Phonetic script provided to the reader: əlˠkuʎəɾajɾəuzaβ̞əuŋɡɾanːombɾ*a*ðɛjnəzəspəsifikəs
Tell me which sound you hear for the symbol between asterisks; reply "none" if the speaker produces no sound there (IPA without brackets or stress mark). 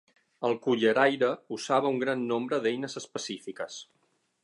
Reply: ə